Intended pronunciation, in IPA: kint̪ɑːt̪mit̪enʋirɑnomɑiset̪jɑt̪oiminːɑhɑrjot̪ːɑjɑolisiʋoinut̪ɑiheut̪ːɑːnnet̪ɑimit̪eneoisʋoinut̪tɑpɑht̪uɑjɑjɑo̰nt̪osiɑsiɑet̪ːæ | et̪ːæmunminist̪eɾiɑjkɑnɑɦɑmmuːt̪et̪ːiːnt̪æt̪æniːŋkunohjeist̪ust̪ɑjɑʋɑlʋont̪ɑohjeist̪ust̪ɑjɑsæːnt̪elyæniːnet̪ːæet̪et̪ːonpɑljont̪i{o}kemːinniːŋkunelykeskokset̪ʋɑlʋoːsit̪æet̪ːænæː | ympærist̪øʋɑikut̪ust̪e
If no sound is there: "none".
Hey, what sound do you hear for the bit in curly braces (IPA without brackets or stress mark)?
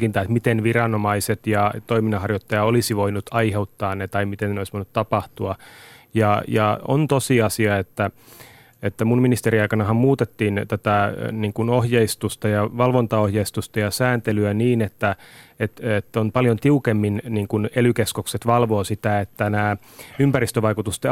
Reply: u